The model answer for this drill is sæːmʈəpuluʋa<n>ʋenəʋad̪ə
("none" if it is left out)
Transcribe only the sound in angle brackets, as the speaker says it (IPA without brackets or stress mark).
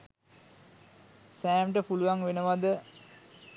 ŋ